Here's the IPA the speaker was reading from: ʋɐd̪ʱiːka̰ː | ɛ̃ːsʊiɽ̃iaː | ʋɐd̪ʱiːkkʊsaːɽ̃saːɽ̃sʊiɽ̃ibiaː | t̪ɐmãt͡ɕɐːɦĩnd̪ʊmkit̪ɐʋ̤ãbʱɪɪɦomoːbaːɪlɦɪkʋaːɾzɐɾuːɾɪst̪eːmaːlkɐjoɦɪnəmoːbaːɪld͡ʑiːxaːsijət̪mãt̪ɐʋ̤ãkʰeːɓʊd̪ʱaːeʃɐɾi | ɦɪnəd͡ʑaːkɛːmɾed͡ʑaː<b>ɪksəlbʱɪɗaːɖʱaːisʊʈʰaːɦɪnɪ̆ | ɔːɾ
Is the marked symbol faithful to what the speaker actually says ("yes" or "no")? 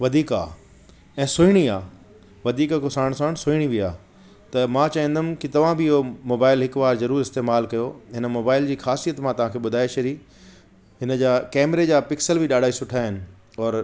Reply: no